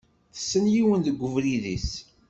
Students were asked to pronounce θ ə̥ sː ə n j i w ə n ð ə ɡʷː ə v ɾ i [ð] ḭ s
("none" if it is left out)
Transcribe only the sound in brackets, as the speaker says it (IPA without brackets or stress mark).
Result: ð